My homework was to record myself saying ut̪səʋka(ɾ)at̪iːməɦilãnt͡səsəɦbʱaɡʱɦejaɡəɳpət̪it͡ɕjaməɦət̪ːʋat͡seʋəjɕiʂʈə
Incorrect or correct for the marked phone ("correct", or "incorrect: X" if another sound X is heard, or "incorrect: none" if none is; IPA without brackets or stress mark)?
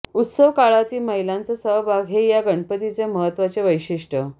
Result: incorrect: ɭ